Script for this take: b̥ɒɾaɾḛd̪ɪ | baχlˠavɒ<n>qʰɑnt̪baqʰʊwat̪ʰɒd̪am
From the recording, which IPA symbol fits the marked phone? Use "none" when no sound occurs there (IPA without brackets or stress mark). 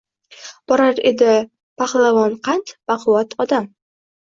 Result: n